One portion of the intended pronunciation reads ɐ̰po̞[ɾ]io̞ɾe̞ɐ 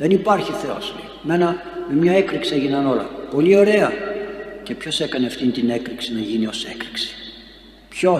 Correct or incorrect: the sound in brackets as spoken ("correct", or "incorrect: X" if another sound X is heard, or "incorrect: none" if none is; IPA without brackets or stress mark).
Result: incorrect: l